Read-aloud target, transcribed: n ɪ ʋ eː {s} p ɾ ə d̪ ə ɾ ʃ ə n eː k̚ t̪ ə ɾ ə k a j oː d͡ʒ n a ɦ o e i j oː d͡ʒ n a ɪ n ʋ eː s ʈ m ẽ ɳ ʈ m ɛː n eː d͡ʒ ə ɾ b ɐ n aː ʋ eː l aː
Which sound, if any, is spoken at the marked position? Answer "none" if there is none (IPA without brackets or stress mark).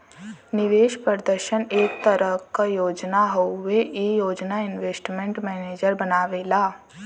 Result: ʃ